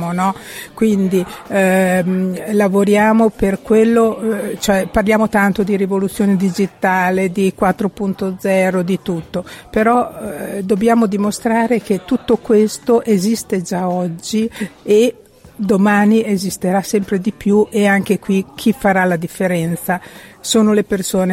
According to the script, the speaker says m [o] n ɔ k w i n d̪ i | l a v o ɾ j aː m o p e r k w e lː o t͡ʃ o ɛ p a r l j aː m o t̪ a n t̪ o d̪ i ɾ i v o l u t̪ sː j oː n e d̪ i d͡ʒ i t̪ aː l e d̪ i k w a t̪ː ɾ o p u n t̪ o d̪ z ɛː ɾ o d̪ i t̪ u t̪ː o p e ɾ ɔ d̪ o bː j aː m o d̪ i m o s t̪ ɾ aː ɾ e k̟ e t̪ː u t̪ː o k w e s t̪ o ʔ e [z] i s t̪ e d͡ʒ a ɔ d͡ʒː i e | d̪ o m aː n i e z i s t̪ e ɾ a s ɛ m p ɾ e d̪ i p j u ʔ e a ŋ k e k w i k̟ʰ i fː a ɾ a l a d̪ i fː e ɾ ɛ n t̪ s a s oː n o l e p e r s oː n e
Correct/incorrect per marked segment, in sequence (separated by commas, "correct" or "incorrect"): correct, correct